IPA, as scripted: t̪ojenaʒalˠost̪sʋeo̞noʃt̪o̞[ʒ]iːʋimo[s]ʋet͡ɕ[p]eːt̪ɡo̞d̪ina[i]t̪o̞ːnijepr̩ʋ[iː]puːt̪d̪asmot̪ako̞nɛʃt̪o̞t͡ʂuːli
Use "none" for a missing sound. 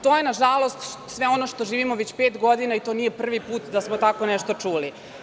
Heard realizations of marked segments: ʒ, none, p, i, i

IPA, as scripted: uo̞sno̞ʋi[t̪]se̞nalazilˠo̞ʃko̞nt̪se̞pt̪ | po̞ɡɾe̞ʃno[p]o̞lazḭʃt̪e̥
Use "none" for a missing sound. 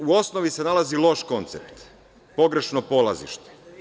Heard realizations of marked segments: none, p

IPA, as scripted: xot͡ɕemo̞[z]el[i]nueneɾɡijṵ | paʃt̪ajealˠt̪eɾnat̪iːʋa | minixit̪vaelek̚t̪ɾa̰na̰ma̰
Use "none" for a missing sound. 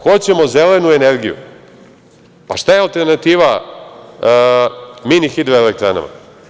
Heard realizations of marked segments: z, e

